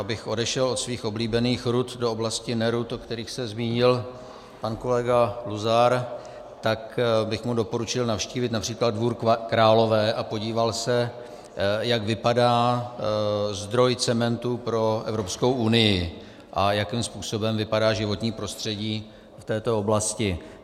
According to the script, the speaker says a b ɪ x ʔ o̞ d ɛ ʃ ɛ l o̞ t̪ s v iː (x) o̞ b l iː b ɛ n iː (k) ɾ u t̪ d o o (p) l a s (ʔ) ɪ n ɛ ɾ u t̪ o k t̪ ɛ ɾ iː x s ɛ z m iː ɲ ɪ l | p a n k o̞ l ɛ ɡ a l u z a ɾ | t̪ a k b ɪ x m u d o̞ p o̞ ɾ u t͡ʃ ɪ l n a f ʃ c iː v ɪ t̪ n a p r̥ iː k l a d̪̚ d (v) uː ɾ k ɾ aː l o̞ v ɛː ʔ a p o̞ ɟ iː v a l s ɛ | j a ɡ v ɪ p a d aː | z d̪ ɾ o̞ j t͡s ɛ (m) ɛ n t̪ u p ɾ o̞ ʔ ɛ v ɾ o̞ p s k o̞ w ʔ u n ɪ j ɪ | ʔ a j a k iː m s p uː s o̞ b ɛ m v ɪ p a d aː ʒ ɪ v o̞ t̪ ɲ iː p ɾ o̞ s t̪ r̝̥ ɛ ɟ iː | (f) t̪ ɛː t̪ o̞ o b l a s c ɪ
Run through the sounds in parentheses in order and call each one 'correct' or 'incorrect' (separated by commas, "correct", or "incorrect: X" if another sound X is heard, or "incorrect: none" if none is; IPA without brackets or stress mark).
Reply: correct, incorrect: x, incorrect: b, incorrect: c, correct, correct, correct